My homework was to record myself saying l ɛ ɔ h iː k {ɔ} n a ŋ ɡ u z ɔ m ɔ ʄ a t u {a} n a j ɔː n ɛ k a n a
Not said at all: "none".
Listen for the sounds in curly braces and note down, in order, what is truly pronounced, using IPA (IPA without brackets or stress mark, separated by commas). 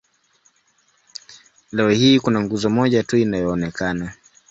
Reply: u, i